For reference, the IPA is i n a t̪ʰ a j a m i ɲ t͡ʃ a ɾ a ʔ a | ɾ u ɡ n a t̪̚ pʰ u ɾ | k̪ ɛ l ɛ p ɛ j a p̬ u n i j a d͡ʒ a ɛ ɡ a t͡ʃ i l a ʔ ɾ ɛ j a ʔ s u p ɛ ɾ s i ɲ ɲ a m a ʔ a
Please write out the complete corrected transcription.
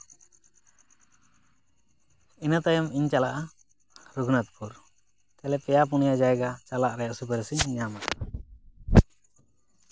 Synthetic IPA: i n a t̪ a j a m i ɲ t͡ʃ a l a ʔ a | ɾ u ɡ n a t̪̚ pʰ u ɾ | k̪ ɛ l ɛ p ɛ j a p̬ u n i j a d͡ʒ a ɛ ɡ a t͡ʃ a l a ʔ ɾ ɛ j a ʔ s u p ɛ ɾ s i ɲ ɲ a m a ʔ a